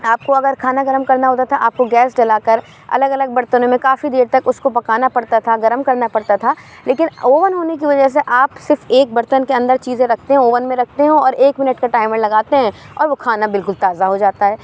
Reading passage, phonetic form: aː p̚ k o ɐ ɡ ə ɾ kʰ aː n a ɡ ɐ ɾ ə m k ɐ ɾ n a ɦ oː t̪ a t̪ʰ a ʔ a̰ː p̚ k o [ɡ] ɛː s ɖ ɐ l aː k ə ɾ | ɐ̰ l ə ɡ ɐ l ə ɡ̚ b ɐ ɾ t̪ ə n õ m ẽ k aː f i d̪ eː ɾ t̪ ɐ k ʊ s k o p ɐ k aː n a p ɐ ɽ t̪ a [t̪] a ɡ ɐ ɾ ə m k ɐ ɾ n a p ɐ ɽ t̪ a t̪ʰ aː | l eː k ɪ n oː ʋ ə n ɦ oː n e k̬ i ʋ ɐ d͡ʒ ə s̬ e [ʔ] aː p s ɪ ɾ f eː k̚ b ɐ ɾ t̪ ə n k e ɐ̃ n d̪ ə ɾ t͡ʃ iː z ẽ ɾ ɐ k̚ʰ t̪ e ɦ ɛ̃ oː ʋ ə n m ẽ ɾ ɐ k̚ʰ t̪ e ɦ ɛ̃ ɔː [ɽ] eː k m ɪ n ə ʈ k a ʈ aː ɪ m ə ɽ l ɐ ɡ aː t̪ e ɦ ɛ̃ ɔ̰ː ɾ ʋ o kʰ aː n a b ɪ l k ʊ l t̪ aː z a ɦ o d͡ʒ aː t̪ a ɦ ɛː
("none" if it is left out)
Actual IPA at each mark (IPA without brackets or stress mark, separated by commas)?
ɡ, t̪ʰ, ʔ, ɾ